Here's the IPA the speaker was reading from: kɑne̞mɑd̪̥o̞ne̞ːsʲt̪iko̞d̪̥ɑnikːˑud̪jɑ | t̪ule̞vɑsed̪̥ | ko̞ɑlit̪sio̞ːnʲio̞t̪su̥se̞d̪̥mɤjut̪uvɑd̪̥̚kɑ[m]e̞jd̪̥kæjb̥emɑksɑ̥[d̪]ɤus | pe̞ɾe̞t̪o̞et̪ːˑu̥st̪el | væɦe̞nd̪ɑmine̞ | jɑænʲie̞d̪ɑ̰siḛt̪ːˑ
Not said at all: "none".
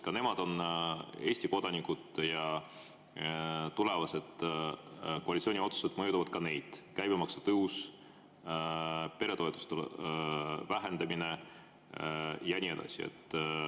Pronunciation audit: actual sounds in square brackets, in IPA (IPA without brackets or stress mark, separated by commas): n, t̪